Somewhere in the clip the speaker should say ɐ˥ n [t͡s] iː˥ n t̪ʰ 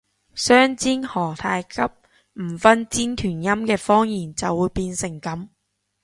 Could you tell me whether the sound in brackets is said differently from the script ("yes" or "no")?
no